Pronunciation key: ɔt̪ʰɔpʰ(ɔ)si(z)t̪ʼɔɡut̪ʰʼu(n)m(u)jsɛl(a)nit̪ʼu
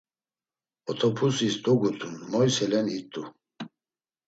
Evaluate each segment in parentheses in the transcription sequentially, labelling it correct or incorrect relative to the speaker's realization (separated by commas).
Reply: incorrect, incorrect, correct, incorrect, incorrect